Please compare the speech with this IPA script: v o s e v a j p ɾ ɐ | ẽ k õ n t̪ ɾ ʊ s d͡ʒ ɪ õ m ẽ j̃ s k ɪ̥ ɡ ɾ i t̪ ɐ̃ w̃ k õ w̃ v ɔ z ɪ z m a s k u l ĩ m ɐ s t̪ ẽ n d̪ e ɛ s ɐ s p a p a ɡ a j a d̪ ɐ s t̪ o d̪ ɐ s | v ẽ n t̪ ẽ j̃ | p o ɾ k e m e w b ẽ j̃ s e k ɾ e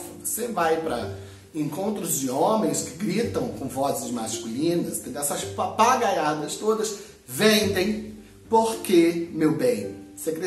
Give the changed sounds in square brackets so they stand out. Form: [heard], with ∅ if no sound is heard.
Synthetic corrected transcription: v o s e v a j p ɾ ɐ | ẽ k õ n t̪ ɾ ʊ [z] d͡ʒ ɪ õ m ẽ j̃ s k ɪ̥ ɡ ɾ i t̪ ɐ̃ w̃ k õ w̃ v ɔ z ɪ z m a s k u l ĩ [n] ɐ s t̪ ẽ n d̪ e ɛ s ɐ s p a p a ɡ a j a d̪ ɐ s t̪ o d̪ ɐ s | v ẽ n [d̪] ẽ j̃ | p o ɾ k e m e w b ẽ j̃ s e k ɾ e